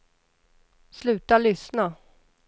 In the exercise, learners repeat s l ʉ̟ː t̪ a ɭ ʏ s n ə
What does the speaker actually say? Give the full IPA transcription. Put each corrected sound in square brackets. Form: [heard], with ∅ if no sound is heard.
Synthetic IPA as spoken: s l ʉ̟ː t̪ a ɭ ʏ s n [a]